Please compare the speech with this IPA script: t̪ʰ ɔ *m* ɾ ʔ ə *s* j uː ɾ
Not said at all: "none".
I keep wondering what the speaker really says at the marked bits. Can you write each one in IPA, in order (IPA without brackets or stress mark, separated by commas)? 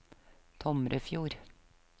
m, f